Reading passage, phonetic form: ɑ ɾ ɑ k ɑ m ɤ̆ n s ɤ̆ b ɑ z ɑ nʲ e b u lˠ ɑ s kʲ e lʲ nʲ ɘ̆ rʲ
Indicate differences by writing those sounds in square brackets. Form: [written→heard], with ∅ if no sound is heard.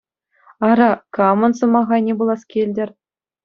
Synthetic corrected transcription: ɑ ɾ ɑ k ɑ m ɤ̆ n s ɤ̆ [b→m] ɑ [z→ʁ] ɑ nʲ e b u lˠ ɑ s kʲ e lʲ [nʲ→dʲ] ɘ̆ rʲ